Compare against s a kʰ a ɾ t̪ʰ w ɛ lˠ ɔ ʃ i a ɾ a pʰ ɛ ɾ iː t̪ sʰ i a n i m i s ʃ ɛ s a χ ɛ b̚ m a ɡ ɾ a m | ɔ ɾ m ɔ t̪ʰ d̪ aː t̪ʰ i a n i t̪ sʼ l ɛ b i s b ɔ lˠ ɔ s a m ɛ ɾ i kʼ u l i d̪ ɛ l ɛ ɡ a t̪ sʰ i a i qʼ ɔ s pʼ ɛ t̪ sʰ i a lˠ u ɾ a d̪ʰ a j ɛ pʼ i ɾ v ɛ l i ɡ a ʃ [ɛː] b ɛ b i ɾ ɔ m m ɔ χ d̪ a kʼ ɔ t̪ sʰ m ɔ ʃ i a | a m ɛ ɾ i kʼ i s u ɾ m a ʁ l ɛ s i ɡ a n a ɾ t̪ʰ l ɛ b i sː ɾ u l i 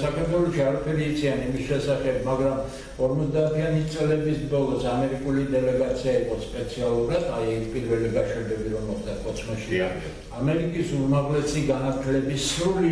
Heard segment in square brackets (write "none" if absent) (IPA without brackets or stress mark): ɛ